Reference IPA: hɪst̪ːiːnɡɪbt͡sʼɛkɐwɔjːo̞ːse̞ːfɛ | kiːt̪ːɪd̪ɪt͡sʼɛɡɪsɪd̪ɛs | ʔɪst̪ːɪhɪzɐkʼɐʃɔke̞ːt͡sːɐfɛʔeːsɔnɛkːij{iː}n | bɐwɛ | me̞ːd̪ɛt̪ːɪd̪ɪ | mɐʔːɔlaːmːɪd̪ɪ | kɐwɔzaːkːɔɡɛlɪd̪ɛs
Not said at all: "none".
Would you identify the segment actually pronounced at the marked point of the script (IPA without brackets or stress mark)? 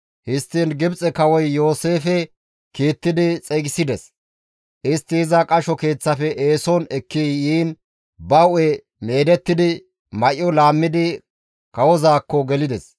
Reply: iː